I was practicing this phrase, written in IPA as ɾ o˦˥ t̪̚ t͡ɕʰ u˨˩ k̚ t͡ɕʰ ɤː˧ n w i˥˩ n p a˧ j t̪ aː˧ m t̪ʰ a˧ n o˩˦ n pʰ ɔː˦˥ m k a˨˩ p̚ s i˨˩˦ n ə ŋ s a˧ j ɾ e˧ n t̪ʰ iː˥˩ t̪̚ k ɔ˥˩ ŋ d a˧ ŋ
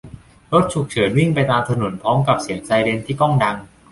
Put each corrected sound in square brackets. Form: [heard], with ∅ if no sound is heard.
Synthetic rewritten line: ɾ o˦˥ t̪̚ t͡ɕʰ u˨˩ k̚ t͡ɕʰ [ɤː˩˦] n w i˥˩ [ŋ] p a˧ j t̪ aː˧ m t̪ʰ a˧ n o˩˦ n pʰ ɔː˦˥ m k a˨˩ p̚ s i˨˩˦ [∅] ə ŋ s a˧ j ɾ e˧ n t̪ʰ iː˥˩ [∅] k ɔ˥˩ ŋ d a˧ ŋ